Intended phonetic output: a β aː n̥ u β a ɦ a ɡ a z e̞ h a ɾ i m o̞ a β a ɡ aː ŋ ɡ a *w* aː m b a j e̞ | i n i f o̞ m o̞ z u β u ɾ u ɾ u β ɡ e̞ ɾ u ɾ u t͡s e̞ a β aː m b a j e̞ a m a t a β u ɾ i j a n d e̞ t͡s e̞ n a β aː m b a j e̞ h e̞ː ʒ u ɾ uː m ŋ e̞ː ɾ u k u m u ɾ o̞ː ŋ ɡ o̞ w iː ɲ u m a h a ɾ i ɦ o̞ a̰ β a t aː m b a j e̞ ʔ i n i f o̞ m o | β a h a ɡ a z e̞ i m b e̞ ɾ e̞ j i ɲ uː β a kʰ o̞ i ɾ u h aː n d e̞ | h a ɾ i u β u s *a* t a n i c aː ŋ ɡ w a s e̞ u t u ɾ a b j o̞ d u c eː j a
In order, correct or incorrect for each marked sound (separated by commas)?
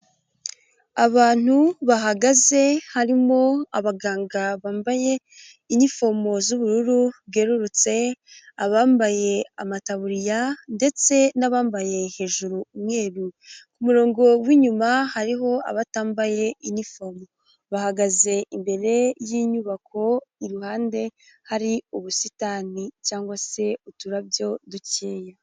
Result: incorrect, incorrect